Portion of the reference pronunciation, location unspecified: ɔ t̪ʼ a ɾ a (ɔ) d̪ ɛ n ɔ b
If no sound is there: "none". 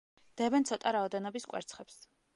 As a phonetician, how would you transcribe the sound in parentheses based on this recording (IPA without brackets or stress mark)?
ɔ